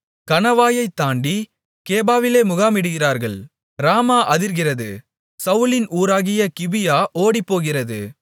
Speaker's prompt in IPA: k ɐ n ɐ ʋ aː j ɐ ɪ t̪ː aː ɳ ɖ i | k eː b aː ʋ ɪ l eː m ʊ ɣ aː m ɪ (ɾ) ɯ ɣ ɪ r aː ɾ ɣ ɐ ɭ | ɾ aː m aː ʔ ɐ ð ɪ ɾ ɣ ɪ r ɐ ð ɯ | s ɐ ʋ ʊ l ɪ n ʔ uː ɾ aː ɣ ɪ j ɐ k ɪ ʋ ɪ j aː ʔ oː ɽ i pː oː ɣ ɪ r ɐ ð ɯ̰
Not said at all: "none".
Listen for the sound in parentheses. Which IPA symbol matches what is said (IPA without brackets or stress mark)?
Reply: ɽ